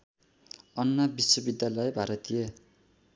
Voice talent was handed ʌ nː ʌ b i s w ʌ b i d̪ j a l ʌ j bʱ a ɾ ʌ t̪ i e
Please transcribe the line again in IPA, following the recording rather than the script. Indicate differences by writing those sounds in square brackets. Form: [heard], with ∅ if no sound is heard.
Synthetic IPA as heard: ʌ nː ʌ b i s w ʌ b i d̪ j a l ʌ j bʱ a ɾ ʌ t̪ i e